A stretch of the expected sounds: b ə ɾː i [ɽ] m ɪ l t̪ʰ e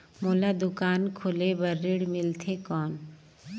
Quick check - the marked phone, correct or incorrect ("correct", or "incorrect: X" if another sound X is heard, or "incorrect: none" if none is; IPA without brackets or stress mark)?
correct